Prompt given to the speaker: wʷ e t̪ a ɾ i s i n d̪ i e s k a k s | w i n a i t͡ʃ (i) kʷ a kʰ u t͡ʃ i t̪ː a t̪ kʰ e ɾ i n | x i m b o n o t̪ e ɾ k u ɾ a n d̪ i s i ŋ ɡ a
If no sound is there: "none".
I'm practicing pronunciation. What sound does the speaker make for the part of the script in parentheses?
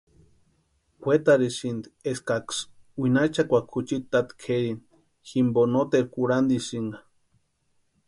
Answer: a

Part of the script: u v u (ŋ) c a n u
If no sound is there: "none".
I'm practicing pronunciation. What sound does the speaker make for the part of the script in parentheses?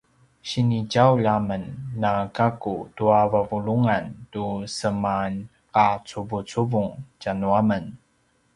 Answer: ŋ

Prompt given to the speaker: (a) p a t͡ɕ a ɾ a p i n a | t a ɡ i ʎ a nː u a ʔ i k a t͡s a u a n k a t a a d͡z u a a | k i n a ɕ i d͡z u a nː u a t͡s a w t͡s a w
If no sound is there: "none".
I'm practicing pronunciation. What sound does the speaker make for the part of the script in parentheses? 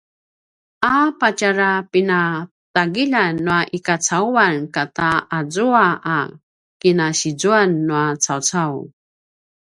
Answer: a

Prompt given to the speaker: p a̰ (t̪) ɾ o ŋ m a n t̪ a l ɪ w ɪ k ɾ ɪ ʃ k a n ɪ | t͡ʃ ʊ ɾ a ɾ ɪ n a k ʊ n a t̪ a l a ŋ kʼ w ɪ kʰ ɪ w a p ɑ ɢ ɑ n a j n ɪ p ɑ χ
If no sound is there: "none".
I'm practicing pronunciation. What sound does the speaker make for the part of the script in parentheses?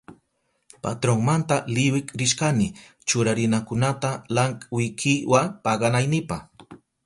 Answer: t̪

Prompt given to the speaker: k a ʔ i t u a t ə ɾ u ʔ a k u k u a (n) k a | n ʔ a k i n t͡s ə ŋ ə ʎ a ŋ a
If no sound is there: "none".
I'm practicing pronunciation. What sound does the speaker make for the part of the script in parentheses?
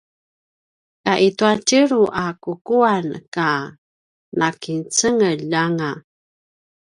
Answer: n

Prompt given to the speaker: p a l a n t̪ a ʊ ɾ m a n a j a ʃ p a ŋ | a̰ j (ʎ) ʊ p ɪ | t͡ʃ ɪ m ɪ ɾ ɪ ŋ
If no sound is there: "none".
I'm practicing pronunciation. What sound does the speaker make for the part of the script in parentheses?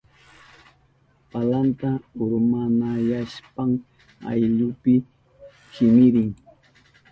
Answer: ʎ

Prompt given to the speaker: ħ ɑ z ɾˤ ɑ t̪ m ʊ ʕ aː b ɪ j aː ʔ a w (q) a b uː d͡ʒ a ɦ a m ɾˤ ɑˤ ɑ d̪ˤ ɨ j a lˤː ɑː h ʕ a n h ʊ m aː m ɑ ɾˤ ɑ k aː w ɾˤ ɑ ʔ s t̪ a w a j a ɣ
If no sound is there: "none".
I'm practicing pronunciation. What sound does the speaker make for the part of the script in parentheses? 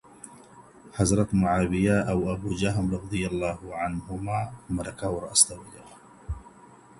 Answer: ʔ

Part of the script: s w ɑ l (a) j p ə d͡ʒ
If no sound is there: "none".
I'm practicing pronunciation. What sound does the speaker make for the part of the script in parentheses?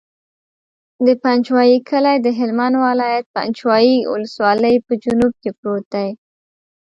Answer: ə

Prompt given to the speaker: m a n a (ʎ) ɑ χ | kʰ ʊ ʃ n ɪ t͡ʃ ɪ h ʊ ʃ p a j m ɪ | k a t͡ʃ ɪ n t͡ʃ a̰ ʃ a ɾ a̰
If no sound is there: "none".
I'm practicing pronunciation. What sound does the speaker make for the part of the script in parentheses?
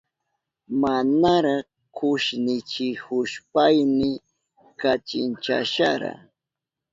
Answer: ɾ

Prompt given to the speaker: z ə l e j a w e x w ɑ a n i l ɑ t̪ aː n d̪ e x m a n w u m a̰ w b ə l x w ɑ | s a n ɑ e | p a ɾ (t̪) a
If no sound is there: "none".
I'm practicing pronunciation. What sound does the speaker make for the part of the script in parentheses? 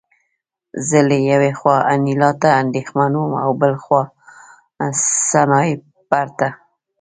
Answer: t̪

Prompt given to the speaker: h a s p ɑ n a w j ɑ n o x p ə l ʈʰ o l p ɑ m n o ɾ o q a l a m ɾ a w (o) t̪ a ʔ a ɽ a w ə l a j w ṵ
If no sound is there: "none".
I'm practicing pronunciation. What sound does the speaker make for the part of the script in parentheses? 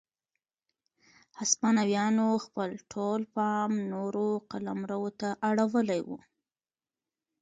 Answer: o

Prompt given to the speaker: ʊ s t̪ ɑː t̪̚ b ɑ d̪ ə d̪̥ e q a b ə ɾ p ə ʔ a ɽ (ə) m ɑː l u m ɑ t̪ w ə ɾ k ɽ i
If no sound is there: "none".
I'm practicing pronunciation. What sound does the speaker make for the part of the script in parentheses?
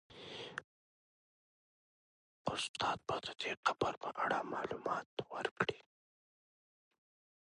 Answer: a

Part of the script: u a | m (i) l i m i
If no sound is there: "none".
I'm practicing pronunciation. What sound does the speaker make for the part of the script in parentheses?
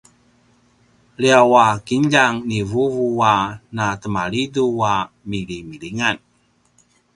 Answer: i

